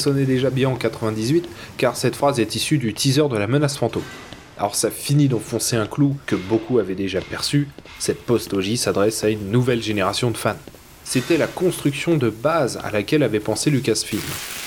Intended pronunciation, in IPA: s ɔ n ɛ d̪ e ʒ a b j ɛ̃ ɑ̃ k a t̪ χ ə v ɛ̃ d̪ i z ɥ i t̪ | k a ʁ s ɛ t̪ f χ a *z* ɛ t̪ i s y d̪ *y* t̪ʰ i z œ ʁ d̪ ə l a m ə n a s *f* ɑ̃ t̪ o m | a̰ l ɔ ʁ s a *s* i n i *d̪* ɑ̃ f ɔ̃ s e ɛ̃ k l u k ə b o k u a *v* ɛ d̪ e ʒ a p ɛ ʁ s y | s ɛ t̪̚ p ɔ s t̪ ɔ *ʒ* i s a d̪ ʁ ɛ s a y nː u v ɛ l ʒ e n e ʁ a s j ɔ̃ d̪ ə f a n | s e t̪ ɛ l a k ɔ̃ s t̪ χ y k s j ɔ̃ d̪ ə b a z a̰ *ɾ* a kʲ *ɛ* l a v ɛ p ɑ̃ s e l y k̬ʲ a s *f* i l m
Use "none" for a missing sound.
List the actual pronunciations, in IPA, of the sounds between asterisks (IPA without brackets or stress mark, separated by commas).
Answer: z, y, f, f, d̪, v, ʒ, l, ɛ, f